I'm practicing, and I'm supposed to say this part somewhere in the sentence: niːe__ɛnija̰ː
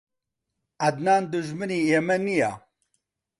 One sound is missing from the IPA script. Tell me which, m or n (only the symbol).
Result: m